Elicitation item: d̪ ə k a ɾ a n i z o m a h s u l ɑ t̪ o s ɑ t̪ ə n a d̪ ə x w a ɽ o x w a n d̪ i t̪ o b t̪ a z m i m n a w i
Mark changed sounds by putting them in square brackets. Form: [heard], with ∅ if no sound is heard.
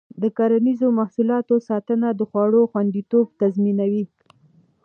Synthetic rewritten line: d̪ ə k a ɾ a n i z o m a h s u l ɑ t̪ o s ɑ t̪ ə n a d̪ ə x w [ɑ] ɽ o x w a n d̪ i t̪ o b t̪ a z m i [∅] n a w i